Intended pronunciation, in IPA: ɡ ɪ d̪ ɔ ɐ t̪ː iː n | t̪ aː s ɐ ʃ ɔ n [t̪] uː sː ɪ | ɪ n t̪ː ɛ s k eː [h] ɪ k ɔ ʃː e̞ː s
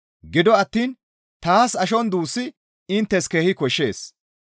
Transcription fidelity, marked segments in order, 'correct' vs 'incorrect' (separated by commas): incorrect, correct